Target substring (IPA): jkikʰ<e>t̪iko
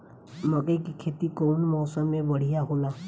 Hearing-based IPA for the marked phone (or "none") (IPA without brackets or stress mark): e